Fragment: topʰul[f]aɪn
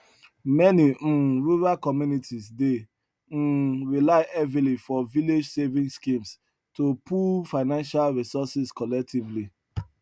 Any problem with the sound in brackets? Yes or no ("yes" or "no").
no